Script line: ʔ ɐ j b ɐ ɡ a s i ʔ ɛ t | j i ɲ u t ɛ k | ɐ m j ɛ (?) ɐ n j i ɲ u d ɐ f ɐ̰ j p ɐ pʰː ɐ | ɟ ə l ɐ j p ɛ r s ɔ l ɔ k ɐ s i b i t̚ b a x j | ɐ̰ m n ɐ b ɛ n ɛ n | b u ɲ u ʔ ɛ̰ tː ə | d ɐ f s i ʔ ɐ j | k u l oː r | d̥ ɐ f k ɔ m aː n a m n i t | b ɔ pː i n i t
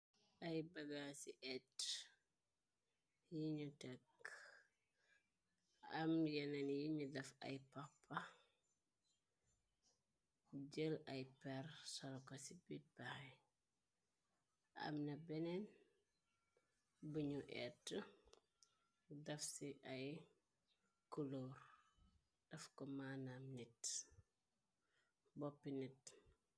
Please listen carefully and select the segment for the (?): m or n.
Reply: n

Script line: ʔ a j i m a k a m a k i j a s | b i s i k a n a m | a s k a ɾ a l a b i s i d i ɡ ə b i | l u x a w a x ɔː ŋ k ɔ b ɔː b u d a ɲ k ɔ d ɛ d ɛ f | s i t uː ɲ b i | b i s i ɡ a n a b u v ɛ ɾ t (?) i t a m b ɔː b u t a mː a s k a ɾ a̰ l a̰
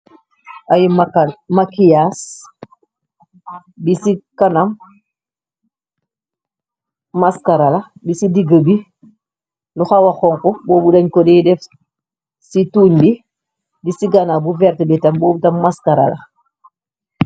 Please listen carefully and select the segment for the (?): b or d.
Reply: b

